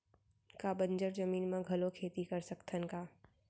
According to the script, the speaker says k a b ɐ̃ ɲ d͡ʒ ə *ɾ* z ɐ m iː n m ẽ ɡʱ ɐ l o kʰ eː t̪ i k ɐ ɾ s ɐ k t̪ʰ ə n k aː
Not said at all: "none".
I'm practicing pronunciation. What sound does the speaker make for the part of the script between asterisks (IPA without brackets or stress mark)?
ɾ